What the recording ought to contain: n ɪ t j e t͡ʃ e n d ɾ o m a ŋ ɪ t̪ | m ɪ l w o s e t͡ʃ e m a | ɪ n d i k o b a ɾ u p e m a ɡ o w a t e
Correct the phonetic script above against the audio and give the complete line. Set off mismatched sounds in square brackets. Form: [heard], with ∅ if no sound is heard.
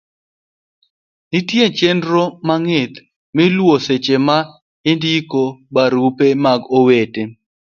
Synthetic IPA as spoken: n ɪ t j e t͡ʃ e n d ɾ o m a ŋ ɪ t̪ | m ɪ l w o s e t͡ʃ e m a | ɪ n d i k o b a ɾ u p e m a ɡ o w [e] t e